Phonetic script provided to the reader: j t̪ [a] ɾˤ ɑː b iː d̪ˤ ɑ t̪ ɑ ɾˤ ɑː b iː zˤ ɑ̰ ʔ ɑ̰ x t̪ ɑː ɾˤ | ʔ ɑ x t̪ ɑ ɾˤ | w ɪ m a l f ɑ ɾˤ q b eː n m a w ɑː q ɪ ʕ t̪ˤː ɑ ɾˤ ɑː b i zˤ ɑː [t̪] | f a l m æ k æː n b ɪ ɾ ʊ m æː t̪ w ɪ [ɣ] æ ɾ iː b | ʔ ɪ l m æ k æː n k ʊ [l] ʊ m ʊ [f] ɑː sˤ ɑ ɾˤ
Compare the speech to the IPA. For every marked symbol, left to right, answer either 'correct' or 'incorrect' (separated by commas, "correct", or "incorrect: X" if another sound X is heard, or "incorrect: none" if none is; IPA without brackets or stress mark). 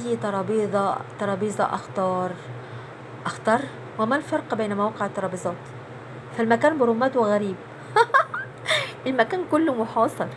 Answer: incorrect: ɑ, correct, correct, incorrect: lː, incorrect: ħ